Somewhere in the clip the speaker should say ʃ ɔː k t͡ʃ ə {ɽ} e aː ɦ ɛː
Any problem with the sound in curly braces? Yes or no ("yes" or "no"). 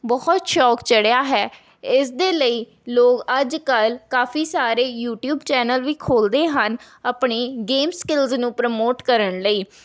no